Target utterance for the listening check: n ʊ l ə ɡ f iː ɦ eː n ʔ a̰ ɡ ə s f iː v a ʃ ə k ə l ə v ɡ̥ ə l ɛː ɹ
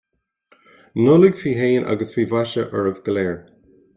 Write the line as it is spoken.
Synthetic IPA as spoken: n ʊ l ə ɡ f iː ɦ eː n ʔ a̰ ɡ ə s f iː v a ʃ ə ʔ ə ɹ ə v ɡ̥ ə l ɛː ɹ

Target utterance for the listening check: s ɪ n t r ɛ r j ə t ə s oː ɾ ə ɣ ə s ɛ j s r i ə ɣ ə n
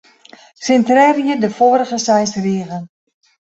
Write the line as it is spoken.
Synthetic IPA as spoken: s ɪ n t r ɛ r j ə d ə f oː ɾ ə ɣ ə s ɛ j s r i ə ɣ ə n

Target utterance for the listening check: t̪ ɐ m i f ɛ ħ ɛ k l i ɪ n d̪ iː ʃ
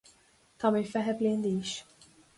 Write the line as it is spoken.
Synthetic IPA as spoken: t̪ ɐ m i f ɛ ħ ɛ p l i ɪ n d̪ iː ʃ

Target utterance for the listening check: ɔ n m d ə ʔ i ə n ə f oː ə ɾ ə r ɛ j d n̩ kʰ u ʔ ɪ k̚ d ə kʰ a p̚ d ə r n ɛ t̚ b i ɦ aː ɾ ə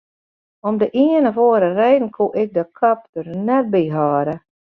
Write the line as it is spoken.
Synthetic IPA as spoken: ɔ m d ə ʔ i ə n ə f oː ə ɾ ə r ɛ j d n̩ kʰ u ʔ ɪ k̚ d ə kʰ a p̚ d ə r n ɛ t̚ b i ɦ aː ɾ ə

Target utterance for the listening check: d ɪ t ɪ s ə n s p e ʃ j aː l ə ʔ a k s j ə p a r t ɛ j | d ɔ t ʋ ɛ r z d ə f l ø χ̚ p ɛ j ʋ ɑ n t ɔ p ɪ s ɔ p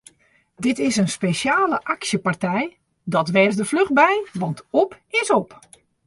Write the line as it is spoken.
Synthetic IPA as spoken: d ɪ t ɪ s ə n s p e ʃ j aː l ə ʔ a k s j ə p a r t ɛ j | d ɔ t ʋ ɛ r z d ə f l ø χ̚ b ɛ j ʋ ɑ n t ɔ p ɪ s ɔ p

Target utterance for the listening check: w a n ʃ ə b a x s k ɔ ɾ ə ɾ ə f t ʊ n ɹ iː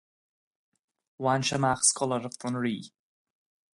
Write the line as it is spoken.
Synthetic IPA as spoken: w a n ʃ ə m a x s k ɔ l ə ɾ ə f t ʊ n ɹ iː

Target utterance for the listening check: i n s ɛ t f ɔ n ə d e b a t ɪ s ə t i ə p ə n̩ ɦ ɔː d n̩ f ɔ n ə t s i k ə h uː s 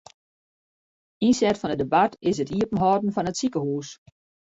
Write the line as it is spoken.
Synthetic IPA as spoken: i n s ɛ t f ɔ n ə d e b a t ɪ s ə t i ə p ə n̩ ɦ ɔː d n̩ f ɔ n ə t s i k ə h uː s

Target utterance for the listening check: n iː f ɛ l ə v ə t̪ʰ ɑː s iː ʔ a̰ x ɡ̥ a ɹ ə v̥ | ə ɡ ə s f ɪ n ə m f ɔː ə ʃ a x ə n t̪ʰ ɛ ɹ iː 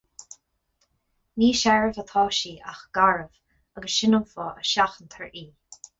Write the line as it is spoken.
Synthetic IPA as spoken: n iː ʃ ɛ ɹ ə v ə t̪ʰ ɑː ʃ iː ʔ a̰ x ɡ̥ a ɹ ə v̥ | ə ɡ ə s ʃ ɪ n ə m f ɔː ə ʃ a x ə n t̪ʰ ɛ ɹ iː

